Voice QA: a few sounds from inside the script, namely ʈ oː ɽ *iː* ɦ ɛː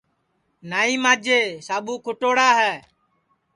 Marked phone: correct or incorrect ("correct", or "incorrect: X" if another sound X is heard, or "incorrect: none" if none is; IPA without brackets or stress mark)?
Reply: incorrect: aː